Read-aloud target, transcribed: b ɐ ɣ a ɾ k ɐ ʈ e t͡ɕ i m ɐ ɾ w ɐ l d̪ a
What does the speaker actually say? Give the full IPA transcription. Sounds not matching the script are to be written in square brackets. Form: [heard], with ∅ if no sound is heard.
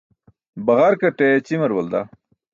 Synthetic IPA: b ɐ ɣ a ɾ k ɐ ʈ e t͡ɕ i m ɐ ɾ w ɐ l d̪ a